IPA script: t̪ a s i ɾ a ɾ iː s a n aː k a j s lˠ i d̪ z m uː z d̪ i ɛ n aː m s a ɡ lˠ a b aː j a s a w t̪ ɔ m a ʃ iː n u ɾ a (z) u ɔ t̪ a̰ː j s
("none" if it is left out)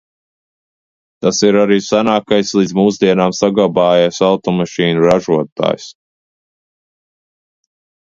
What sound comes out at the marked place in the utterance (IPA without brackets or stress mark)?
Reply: ʒ